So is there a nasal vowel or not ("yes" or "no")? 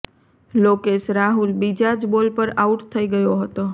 no